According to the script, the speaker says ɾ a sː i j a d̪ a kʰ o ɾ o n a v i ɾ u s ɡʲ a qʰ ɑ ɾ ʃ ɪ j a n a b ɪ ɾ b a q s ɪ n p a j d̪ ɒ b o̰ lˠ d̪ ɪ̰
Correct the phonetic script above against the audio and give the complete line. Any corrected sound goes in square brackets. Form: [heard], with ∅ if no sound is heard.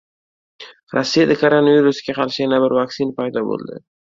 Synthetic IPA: ɾ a sː i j a d̪ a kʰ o ɾ o n a v i ɾ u s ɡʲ a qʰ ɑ ɾ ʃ ɪ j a n a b ɪ ɾ [v] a [k] s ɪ n p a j d̪ ɒ b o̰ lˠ d̪ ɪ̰